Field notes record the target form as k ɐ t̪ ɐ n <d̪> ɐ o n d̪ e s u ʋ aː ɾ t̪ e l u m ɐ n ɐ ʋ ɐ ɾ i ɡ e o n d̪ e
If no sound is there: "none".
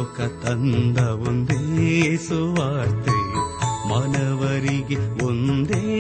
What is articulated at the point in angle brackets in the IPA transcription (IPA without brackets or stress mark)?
d̪